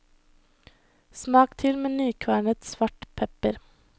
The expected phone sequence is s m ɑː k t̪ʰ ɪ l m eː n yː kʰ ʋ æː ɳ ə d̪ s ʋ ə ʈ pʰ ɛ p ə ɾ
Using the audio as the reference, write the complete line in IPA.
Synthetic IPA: s m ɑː k t̪ʰ ɪ l m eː n yː kʰ ʋ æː ɳ ə t̪ s ʋ ɑ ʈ pʰ ɛ p ə ɾ